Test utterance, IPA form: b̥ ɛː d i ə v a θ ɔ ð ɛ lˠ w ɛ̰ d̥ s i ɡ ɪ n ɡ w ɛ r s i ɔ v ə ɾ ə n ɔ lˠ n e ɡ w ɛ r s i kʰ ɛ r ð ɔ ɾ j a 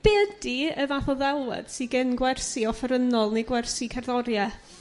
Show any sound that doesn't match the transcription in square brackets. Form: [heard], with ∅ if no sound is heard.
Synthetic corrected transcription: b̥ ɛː d i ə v a θ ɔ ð ɛ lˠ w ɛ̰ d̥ s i ɡ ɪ n ɡ w ɛ r s i ɔ [f] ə ɾ ə n ɔ lˠ n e ɡ w ɛ r s i kʰ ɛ r ð ɔ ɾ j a